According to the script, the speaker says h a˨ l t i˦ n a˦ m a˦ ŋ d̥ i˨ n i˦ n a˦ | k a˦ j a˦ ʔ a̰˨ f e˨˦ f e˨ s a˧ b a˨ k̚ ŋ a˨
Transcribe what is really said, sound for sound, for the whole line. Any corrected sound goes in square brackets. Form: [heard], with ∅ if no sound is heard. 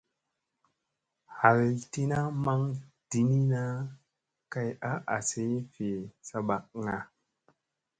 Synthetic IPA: h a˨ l t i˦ n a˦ m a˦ ŋ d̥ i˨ n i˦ n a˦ | k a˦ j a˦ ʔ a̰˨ [s] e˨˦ f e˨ s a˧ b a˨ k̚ ŋ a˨